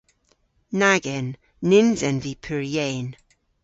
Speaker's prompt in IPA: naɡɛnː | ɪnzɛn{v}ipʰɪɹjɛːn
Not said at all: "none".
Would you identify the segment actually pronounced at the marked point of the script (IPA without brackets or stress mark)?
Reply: v